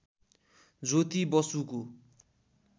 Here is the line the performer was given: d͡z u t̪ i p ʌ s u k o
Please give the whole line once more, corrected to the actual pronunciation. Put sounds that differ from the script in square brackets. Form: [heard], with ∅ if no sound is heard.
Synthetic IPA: d͡z [o] t̪ i [b] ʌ s u k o